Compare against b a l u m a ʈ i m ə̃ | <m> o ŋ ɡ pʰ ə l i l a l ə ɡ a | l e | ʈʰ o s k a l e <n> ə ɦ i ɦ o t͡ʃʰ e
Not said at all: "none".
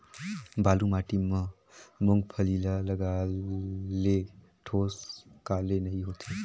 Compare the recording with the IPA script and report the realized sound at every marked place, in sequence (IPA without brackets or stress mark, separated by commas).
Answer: m, n